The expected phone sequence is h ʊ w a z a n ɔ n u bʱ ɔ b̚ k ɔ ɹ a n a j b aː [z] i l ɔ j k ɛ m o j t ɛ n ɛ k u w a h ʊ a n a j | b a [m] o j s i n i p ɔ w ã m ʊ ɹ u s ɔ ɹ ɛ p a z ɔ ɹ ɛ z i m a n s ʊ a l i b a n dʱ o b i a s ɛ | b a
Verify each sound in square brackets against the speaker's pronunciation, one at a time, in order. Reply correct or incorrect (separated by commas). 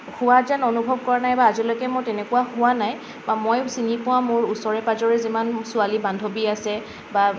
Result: correct, correct